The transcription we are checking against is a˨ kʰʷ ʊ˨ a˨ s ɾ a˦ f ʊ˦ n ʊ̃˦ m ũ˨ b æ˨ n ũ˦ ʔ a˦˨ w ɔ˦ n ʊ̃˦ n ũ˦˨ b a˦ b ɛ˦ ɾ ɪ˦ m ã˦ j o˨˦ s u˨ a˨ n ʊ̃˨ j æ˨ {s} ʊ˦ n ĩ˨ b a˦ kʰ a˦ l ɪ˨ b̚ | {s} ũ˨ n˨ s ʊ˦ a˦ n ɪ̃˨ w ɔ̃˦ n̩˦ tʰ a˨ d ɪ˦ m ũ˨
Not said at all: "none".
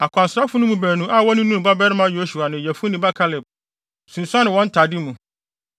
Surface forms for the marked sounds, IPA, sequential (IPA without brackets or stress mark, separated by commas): f, s